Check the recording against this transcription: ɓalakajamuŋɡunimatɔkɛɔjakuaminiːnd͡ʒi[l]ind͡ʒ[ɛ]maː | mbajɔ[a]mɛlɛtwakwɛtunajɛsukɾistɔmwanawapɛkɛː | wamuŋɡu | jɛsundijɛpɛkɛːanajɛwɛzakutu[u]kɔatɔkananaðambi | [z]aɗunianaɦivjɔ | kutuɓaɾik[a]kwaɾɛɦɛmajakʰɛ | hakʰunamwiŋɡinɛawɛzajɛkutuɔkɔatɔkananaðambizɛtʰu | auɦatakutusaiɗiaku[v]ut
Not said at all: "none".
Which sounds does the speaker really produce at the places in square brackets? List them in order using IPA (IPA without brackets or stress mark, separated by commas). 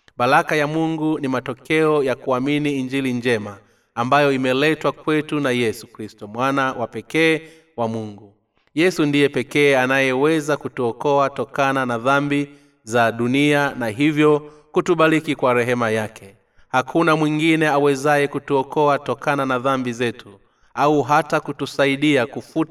l, ɛ, i, ɔ, z, i, f